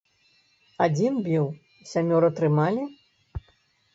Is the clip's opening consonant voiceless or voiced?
voiced